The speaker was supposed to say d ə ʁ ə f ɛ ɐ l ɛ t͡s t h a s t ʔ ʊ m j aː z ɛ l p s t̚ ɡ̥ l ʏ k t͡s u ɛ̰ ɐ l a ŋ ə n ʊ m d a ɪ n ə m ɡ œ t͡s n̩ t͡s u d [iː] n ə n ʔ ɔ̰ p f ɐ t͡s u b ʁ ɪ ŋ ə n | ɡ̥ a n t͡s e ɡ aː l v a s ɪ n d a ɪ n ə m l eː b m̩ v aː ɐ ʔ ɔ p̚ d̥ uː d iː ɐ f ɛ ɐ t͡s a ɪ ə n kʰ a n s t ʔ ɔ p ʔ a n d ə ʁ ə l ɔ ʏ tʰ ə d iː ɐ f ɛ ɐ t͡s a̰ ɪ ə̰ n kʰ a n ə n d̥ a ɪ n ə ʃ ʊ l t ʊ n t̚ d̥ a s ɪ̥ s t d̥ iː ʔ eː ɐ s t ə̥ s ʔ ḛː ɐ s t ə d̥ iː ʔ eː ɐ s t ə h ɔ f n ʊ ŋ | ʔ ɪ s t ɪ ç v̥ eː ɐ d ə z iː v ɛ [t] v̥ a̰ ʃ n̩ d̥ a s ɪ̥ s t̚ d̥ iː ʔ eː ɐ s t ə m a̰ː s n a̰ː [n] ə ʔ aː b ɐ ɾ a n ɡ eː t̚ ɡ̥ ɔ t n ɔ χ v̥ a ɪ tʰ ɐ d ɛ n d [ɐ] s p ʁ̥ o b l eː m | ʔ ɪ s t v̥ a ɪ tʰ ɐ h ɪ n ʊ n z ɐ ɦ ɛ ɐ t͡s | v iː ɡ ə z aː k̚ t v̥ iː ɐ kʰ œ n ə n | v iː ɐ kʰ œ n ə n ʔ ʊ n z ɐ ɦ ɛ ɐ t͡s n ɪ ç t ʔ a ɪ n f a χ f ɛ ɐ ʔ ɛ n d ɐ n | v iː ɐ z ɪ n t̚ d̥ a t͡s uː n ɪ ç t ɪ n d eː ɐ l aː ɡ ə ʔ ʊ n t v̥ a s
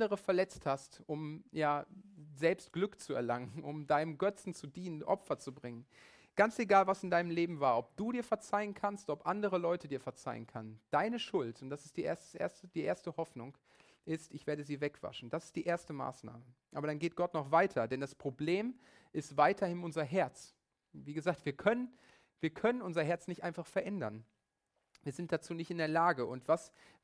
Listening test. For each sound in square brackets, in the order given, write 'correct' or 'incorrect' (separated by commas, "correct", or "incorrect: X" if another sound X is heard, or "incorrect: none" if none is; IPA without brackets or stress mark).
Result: correct, incorrect: k, incorrect: m, incorrect: a